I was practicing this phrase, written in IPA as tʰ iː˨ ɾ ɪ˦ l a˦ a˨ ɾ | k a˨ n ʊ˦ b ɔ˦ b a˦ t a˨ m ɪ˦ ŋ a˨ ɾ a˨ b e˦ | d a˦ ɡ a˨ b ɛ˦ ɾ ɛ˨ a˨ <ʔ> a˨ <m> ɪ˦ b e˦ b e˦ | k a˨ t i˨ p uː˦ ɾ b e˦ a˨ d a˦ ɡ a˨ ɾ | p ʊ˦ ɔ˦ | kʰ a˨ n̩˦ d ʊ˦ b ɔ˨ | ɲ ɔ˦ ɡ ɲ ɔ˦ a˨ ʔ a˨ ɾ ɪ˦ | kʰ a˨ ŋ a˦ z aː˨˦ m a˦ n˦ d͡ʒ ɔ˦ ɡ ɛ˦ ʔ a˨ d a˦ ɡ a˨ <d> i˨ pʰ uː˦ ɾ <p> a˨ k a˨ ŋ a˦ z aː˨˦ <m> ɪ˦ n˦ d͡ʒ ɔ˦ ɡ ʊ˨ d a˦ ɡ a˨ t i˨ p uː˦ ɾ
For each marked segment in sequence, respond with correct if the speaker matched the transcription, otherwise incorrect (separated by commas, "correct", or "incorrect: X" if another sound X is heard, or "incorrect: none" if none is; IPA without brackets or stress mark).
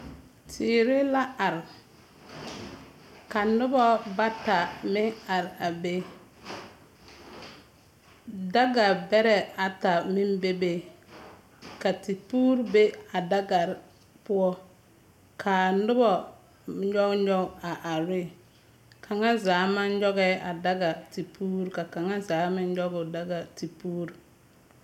incorrect: t, correct, incorrect: t, incorrect: k, correct